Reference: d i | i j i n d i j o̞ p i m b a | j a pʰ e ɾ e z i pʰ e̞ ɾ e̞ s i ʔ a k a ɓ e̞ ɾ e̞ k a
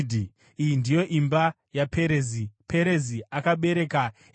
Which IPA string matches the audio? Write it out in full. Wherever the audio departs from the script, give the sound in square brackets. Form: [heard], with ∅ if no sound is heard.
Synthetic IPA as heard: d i | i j i n d i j o̞ [ʔ] i m b a | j a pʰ e ɾ e z i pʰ e̞ ɾ e̞ [z] i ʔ a k a ɓ e̞ ɾ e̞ k a